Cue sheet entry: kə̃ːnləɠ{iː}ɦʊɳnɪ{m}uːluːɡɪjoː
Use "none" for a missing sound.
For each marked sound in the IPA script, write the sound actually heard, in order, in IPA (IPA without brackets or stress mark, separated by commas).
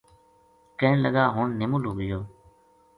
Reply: aː, m